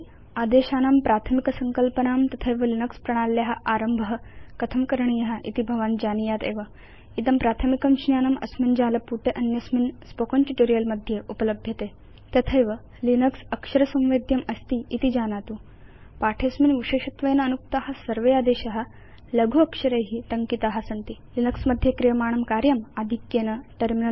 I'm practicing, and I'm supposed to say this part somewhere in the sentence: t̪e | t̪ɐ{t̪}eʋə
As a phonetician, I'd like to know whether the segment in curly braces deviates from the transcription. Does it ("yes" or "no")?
yes